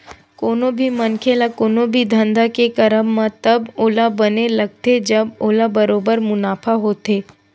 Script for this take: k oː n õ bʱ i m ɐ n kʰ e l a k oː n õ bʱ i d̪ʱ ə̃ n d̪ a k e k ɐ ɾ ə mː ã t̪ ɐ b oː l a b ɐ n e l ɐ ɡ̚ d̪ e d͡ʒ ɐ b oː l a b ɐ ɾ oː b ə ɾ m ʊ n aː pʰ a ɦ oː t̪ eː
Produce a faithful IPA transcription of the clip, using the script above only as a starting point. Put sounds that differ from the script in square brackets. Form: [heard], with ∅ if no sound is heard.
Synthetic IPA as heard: k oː n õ bʱ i m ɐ n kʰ e l a k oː n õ bʱ i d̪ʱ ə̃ n d̪ a k e k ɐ ɾ ə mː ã t̪ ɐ b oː l a b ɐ n e l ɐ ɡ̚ [t̪] e d͡ʒ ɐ b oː l a b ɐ ɾ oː b ə ɾ m ʊ n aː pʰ a ɦ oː t̪ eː